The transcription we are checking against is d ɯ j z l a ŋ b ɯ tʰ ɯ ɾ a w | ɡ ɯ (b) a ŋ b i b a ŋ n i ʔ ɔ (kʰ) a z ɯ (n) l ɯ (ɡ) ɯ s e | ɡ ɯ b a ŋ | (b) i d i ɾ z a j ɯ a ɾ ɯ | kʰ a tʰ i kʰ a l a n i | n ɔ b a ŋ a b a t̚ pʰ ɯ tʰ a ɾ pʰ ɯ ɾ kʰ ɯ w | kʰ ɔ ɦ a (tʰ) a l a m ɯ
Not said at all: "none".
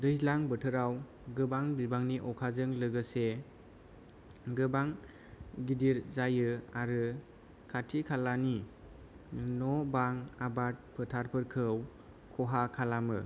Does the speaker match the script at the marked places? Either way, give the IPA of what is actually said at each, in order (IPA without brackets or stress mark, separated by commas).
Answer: b, kʰ, ŋ, ɡ, ɡ, kʰ